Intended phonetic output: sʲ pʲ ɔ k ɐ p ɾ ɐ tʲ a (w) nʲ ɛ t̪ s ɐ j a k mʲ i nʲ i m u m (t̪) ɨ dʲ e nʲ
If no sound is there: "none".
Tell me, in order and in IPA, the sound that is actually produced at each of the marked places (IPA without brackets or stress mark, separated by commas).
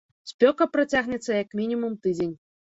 ɣ, t̪